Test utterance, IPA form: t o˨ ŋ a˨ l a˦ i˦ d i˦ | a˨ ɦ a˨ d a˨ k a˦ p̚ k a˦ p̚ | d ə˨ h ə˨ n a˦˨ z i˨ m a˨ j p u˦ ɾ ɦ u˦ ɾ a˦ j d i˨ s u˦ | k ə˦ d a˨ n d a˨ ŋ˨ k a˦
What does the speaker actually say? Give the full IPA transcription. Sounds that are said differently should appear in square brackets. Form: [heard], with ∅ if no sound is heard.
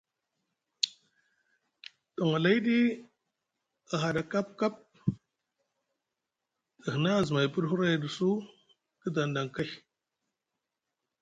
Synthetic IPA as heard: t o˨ ŋ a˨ l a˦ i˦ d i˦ | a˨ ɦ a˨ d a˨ k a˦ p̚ k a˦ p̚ | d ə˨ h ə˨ n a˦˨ z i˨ m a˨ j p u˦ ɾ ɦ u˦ ɾ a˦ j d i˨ s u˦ | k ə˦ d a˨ n d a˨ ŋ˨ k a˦